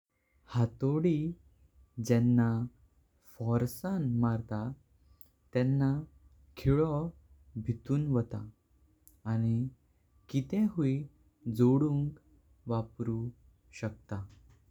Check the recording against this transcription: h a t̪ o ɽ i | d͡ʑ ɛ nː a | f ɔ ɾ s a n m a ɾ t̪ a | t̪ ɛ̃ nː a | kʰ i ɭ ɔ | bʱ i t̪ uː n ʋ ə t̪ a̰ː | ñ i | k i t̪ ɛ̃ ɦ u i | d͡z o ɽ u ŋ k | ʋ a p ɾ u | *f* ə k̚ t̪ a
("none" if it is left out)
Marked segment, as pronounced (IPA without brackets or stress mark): ɕ